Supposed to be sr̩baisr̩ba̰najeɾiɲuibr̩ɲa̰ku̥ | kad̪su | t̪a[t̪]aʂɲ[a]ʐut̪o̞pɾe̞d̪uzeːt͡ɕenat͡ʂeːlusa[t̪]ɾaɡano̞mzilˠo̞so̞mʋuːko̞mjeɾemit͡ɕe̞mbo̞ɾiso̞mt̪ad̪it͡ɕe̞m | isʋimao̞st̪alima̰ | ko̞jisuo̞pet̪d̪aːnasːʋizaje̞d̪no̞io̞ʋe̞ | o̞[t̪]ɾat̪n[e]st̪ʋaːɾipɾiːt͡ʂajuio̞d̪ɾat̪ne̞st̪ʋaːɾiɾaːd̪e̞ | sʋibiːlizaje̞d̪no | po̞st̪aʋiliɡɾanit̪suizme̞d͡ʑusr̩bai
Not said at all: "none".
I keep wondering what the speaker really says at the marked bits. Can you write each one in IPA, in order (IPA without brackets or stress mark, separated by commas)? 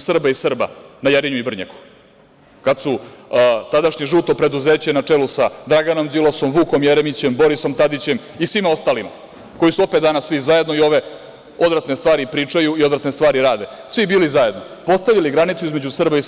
d̪, e, d̪, d̪, e